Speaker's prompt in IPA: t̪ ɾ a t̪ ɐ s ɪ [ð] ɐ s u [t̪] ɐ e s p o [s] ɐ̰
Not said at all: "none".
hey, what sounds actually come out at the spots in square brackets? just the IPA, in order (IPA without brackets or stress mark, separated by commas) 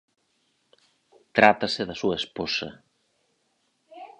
ð, none, s